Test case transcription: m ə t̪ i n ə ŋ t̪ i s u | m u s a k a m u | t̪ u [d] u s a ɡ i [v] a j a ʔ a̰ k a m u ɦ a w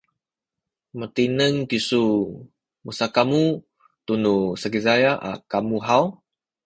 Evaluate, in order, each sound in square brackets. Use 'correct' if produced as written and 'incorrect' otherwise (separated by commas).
incorrect, incorrect